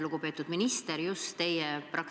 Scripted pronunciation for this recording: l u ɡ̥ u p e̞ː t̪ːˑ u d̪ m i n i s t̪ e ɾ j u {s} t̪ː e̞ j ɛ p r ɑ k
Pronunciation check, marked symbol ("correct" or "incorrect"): correct